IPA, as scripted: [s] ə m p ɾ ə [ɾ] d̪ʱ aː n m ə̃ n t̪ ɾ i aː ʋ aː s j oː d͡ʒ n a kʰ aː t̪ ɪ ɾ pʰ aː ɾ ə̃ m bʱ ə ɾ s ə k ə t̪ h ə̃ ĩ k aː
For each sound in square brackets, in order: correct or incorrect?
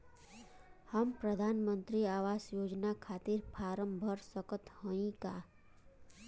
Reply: incorrect: h, incorrect: none

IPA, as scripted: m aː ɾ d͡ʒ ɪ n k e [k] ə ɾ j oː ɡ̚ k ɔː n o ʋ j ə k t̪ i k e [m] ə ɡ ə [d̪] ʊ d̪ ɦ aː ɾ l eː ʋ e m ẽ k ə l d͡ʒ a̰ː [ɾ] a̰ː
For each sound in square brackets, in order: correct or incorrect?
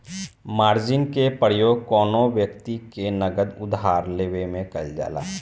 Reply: incorrect: p, incorrect: n, correct, incorrect: l

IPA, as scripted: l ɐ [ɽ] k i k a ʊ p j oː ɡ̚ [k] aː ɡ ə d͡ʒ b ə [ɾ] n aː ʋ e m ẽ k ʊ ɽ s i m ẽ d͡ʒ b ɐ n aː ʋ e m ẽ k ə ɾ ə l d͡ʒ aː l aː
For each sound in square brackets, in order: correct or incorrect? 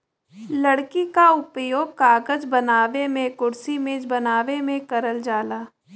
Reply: correct, correct, incorrect: none

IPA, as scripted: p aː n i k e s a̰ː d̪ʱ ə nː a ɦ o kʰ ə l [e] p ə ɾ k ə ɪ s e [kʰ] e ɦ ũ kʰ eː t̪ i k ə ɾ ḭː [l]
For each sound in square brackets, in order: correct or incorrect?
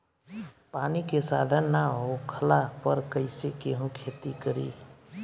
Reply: incorrect: a, incorrect: k, incorrect: none

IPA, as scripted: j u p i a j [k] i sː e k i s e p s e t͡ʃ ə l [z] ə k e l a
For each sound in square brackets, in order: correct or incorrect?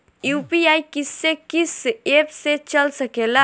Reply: correct, incorrect: s

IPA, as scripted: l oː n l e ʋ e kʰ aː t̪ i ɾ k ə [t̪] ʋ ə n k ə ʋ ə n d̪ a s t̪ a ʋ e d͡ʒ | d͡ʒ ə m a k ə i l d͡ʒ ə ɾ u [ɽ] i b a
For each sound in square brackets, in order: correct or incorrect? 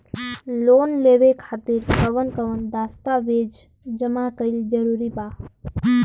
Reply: incorrect: none, incorrect: ɾ

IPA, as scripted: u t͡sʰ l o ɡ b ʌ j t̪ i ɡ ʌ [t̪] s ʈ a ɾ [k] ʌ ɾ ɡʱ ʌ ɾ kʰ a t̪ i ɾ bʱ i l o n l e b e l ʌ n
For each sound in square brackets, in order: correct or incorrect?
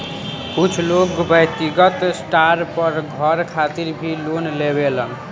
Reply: correct, incorrect: p

